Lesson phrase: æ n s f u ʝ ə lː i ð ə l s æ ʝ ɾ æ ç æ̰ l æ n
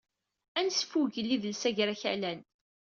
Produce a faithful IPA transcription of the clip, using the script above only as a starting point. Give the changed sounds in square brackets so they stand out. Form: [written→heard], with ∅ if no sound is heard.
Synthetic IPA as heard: æ n s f u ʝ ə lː i ð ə l s æ ʝ ɾ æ ç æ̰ l æ n